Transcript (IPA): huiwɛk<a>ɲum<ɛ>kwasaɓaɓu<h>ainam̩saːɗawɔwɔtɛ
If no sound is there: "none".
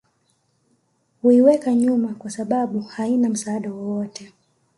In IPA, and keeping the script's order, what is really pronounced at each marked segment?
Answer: a, a, h

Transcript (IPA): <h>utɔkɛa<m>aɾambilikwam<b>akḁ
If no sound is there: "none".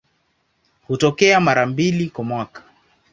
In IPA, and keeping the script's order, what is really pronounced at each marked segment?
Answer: h, m, w

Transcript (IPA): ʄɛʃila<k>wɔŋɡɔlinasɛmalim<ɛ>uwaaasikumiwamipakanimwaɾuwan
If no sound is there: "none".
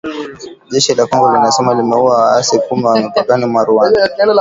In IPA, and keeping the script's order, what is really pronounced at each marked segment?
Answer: k, ɛ

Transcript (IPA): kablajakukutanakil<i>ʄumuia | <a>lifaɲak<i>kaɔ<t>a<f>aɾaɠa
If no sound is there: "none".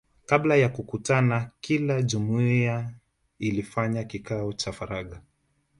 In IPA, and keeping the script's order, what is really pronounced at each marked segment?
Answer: a, i, i, t͡ʃ, f

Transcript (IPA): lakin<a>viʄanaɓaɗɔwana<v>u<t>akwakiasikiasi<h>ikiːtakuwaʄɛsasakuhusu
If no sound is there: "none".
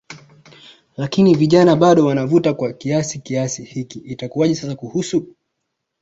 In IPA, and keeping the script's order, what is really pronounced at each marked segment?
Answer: i, v, t, h

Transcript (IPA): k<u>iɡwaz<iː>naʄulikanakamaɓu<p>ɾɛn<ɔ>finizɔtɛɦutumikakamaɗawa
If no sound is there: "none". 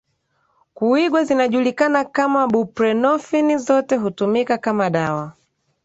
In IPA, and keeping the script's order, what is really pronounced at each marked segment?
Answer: u, i, p, ɔ

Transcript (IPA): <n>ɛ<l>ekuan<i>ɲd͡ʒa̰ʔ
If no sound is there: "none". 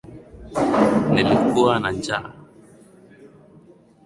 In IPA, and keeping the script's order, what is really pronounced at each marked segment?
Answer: n, l, a

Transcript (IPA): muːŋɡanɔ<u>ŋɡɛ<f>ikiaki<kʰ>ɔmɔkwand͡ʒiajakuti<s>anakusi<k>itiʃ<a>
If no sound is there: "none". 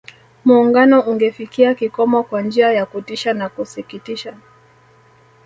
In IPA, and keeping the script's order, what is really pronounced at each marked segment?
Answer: u, f, k, ʃ, k, a

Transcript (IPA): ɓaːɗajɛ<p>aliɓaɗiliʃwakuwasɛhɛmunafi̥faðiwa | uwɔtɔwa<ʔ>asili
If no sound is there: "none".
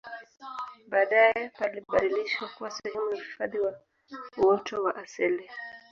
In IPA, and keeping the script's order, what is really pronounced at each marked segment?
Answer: p, ʔ

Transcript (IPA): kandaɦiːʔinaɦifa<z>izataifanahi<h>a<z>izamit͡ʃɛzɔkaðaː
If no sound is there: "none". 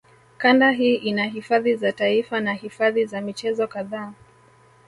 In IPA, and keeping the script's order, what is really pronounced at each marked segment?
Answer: ð, f, ð

